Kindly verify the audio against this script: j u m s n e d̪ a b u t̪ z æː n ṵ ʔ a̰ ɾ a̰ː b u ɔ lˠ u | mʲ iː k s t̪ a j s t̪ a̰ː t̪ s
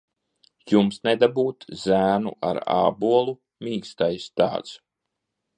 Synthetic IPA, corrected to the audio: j u m s n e d̪ a b uː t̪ z æː n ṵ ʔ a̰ ɾ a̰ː b u ɔ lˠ u | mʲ iː k s t̪ a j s t̪ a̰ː t̪ s